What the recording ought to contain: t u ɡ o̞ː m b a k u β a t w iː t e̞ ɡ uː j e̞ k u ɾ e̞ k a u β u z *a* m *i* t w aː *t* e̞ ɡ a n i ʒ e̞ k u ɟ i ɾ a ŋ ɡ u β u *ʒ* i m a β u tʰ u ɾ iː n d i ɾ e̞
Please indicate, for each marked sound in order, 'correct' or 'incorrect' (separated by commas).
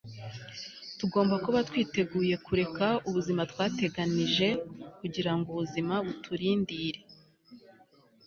incorrect, incorrect, correct, incorrect